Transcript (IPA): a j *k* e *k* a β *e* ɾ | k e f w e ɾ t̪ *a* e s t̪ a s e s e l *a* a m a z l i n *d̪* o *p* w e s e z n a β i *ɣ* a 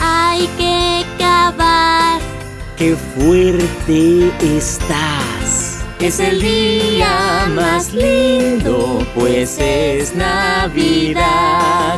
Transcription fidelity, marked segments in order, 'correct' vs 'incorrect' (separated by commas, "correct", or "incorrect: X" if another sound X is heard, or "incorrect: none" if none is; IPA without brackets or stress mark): correct, correct, incorrect: a, incorrect: e, incorrect: i, correct, correct, incorrect: ð